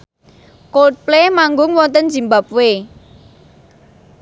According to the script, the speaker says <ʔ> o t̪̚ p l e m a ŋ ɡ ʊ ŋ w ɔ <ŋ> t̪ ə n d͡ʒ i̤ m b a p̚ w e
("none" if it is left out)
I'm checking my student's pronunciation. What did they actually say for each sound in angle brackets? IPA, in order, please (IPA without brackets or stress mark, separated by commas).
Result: k, n